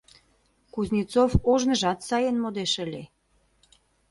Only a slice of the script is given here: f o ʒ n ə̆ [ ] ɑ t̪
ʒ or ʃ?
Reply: ʒ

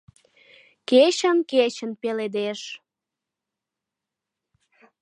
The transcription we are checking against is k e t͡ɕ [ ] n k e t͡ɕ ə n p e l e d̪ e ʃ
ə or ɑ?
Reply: ə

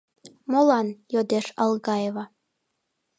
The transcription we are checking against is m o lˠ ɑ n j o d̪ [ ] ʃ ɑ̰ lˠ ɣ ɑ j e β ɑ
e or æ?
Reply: e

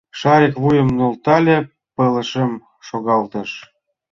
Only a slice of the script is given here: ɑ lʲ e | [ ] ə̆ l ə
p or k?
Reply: p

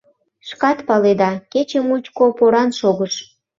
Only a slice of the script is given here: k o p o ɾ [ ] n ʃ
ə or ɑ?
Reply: ɑ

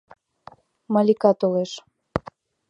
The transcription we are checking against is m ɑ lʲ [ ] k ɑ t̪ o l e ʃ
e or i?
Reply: i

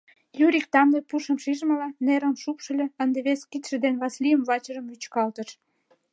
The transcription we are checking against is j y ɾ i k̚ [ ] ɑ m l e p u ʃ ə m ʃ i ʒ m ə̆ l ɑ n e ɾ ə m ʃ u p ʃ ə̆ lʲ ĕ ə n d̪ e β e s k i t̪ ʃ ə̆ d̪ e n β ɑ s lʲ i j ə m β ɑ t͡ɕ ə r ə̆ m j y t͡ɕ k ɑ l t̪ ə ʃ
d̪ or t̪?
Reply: t̪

